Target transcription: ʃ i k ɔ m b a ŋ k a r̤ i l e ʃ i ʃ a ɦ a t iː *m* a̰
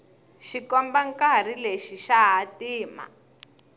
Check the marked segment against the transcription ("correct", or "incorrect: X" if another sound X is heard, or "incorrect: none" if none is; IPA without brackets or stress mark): correct